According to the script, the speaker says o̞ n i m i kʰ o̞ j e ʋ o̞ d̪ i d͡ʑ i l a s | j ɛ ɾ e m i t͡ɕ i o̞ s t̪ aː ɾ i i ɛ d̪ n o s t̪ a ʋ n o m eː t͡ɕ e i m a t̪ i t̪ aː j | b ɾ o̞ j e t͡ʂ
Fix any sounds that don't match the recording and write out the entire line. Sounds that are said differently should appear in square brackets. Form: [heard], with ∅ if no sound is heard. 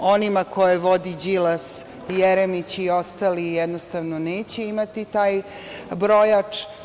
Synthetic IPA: o̞ n i m [a] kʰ o̞ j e ʋ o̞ d̪ i d͡ʑ i l a s | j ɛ ɾ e m i t͡ɕ i o̞ s t̪ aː [l] i [j] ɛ d̪ n o s t̪ a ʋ n o [n] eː t͡ɕ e i m a t̪ i t̪ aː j | b ɾ o̞ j [a] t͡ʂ

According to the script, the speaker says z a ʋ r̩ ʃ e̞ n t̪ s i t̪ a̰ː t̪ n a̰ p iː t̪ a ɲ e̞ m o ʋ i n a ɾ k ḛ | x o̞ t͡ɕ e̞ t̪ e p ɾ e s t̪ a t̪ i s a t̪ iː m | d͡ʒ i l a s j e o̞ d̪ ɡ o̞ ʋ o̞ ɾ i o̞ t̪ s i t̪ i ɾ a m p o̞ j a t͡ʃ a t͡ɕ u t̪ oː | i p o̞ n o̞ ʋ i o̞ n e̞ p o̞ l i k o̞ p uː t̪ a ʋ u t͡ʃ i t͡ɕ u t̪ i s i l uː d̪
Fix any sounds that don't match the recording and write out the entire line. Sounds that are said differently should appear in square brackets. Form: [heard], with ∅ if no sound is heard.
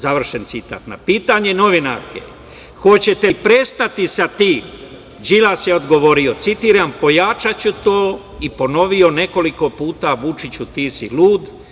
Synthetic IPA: z a ʋ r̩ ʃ e̞ n t̪ s i t̪ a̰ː t̪ n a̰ p iː t̪ a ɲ e̞ [n] o ʋ i n a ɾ k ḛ | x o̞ t͡ɕ e̞ t̪ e p ɾ e s t̪ a t̪ i s a t̪ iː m | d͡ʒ i l a s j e o̞ d̪ ɡ o̞ ʋ o̞ ɾ i o̞ t̪ s i t̪ i ɾ a m p o̞ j a t͡ʃ a t͡ɕ u t̪ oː | i p o̞ n o̞ ʋ i o̞ n e̞ [k] o̞ l i k o̞ p uː t̪ a ʋ u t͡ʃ i t͡ɕ u t̪ i s i l uː d̪

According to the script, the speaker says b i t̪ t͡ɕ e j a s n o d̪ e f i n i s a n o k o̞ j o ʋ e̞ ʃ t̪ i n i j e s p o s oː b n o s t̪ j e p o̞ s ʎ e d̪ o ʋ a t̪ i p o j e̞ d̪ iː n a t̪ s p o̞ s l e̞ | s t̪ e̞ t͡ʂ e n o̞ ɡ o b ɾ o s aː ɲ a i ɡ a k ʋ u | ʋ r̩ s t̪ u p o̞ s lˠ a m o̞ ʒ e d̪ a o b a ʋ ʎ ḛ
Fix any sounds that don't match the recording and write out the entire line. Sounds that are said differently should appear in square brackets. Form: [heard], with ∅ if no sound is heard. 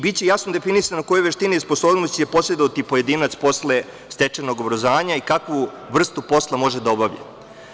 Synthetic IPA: b i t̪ t͡ɕ e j a s n o d̪ e f i n i s a n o k o̞ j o ʋ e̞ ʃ t̪ i n i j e s p o s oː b n o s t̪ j e p o̞ s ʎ e d̪ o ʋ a t̪ i p o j e̞ d̪ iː n a t̪ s p o̞ s l e̞ | s t̪ e̞ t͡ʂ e n o̞ ɡ o b ɾ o [z] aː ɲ a i [k] a k ʋ u | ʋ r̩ s t̪ u p o̞ s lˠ a m o̞ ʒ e d̪ a o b a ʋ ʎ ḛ

